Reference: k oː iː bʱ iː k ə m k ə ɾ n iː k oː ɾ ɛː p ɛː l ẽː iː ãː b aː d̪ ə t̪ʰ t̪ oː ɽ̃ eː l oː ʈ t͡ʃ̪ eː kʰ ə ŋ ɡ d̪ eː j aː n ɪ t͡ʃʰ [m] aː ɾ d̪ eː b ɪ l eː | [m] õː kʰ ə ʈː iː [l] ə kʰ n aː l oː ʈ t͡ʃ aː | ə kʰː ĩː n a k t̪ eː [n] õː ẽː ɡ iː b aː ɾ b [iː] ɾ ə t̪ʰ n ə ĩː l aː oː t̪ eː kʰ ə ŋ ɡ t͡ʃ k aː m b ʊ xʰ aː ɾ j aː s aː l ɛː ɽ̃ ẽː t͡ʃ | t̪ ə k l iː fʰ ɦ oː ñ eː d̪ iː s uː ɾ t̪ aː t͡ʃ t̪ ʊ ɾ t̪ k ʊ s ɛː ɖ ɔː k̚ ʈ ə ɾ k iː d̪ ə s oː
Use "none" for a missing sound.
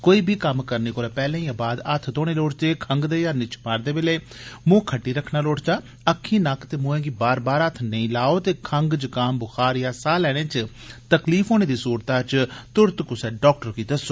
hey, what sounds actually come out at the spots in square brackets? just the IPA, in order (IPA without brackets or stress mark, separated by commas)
m, m, ɾ, m, aː